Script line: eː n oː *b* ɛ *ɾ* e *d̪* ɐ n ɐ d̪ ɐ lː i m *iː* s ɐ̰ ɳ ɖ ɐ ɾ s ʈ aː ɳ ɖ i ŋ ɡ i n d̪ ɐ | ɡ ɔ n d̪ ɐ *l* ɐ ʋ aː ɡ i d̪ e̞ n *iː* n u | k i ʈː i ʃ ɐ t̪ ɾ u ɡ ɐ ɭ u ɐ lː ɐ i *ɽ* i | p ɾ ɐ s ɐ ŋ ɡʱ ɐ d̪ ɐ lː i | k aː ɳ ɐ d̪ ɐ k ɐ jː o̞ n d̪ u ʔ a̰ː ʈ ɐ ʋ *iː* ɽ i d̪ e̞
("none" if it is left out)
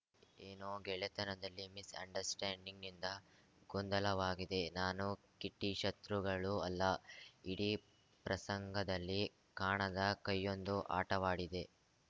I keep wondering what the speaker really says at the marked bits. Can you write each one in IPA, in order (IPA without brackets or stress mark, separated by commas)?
ɡ, ɭ, t̪, i, l, aː, ɽ, aː